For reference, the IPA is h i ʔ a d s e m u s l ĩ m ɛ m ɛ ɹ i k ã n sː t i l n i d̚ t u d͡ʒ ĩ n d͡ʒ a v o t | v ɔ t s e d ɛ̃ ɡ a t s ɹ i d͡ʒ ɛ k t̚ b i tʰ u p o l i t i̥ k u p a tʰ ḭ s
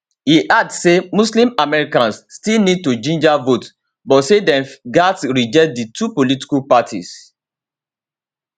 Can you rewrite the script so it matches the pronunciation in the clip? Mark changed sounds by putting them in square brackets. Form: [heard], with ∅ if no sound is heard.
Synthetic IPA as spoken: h i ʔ a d s e m u s l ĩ m [a] m ɛ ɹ i k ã n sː t i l n i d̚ t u d͡ʒ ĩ n d͡ʒ a v o t | [b] ɔ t s e d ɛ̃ ɡ a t s ɹ i d͡ʒ ɛ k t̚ [d] i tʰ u p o l i t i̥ k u p a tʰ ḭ s